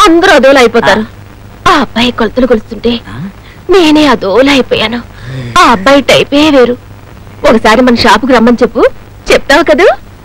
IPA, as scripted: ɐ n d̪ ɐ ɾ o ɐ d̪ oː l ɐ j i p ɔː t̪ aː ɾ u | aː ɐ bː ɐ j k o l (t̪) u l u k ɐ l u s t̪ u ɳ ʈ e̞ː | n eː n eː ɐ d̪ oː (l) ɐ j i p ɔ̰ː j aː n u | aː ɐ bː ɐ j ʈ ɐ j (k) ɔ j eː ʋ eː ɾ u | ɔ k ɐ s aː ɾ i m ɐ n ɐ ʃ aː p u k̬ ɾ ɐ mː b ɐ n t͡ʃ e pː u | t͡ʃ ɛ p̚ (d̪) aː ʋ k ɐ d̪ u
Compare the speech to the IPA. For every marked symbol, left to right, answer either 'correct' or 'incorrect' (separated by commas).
correct, correct, incorrect, incorrect